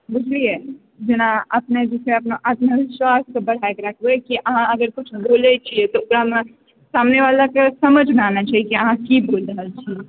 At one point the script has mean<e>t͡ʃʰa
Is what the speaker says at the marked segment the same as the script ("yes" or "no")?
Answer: no